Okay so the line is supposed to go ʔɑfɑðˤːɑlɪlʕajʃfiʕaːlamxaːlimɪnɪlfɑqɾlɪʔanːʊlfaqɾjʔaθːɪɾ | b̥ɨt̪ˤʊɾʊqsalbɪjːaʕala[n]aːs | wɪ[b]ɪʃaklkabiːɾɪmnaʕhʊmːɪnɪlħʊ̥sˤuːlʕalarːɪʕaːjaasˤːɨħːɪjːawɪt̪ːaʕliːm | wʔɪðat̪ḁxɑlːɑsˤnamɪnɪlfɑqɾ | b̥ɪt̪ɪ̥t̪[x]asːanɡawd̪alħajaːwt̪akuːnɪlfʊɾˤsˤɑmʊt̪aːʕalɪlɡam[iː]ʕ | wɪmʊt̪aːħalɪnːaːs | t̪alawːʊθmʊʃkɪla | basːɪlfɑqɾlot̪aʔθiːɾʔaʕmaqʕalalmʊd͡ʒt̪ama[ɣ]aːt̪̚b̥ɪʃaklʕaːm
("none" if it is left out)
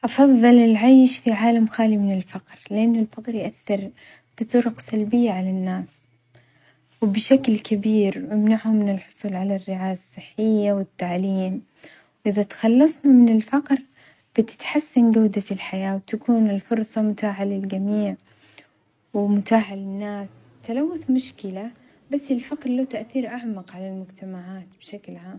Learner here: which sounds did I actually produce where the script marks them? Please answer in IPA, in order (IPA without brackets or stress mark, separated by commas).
nː, b, ħ, iː, ʕ